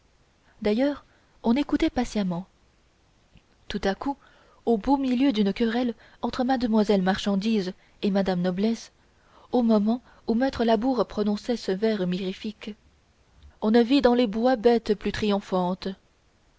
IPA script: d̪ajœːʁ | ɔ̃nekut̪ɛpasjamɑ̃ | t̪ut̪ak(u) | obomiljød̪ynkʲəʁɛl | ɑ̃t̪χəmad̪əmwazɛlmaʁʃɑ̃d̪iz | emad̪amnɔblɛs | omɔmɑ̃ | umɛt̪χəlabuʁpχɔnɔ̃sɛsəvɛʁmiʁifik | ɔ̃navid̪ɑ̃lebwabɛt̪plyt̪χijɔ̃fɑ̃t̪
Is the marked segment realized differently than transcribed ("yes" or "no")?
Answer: no